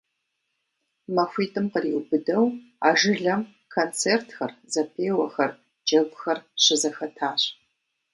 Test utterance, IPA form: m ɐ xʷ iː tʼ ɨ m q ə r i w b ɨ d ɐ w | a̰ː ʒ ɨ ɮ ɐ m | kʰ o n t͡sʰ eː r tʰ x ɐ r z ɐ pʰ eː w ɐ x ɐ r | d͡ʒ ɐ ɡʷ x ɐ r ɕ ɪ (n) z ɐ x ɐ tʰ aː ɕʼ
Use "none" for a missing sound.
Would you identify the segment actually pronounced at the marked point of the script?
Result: none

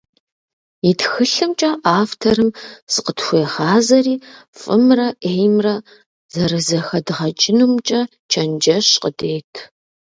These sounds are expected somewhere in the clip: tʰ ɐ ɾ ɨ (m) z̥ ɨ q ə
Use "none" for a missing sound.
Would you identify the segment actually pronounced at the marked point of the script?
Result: m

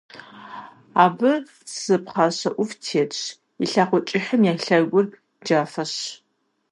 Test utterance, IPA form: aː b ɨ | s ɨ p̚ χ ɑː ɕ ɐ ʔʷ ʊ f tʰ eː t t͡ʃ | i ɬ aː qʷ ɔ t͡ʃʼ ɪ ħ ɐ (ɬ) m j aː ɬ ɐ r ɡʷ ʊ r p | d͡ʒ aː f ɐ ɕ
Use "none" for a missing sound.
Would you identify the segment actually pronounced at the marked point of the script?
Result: none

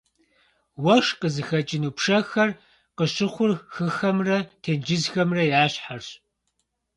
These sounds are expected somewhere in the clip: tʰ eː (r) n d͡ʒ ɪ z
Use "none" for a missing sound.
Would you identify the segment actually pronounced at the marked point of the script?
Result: none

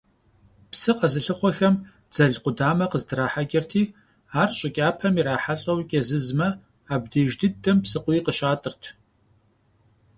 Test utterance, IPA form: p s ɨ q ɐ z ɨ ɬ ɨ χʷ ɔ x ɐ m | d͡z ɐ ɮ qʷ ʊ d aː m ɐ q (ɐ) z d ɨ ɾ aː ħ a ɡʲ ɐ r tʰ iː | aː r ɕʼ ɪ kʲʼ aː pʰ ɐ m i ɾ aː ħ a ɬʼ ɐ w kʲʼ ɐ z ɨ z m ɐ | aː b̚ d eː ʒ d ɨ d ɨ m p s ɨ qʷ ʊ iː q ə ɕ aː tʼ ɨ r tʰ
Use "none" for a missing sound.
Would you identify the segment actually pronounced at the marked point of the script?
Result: ə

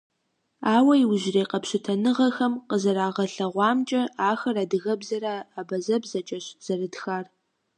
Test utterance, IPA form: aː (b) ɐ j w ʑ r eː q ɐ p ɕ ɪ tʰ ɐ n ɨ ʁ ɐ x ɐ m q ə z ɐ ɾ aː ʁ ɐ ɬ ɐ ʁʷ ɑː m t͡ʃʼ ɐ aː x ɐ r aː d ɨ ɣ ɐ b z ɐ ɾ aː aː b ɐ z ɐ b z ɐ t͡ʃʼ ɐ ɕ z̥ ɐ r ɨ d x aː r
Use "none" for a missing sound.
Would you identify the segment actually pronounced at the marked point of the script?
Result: w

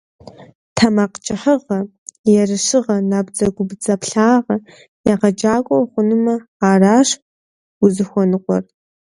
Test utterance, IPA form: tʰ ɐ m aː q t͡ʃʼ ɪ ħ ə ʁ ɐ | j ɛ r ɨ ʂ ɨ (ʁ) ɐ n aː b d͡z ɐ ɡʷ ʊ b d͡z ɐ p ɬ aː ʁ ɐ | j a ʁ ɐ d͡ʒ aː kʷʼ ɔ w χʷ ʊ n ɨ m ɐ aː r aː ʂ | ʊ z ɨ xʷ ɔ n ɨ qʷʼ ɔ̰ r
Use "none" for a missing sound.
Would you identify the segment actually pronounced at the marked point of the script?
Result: ʁ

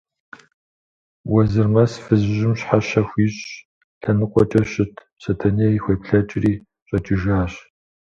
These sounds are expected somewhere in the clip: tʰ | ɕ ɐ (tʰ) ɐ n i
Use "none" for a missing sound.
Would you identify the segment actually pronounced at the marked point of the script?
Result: tʰ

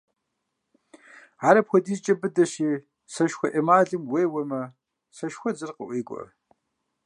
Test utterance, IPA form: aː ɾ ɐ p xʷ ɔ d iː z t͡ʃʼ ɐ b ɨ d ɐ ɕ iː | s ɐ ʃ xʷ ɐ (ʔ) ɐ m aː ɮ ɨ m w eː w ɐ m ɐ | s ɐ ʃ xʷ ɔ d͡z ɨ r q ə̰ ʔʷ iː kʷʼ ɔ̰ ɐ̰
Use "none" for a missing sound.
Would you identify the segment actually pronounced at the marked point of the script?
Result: ʔ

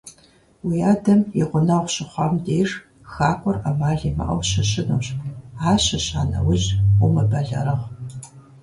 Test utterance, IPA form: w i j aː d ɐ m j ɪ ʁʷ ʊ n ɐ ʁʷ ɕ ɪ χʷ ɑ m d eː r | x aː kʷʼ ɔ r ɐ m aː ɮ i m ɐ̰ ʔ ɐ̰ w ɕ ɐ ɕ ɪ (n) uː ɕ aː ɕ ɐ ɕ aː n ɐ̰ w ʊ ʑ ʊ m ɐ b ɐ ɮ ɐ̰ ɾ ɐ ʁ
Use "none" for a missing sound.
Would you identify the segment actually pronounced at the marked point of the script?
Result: n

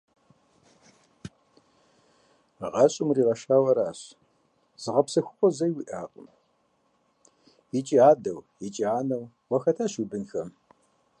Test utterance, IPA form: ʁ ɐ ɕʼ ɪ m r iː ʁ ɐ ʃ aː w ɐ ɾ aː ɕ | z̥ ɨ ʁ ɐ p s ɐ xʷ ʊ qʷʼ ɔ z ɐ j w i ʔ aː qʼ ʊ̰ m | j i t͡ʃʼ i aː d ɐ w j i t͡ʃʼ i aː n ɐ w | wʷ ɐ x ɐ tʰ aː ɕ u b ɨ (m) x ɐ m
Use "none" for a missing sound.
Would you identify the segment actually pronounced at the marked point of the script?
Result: n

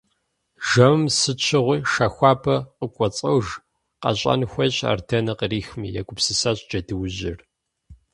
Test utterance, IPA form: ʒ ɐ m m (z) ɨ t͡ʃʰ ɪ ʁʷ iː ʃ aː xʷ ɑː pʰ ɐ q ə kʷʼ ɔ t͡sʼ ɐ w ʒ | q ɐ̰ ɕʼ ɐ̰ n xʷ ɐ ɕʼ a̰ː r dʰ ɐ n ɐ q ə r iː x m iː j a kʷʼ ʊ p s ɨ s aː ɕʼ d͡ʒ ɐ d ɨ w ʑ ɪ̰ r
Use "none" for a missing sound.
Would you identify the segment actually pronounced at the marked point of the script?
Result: s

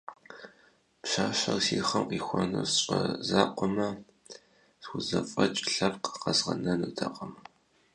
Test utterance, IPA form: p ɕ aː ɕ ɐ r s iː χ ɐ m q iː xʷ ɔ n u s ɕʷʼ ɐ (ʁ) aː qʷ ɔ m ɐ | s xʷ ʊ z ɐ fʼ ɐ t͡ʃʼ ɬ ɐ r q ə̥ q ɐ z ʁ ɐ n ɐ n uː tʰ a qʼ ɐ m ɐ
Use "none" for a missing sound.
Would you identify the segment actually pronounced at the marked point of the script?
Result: z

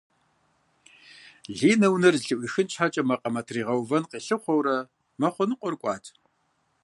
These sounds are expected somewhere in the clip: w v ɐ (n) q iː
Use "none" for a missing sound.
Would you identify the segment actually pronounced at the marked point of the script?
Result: n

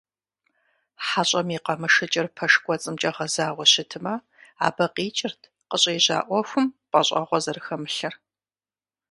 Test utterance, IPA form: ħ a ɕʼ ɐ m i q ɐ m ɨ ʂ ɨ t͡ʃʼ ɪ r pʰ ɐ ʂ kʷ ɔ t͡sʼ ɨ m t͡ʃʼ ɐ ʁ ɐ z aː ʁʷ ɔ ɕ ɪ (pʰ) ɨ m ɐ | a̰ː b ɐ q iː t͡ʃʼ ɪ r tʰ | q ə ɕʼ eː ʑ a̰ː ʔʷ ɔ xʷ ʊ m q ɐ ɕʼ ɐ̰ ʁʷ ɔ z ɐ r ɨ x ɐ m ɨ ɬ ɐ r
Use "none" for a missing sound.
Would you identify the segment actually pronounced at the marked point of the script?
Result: tʰ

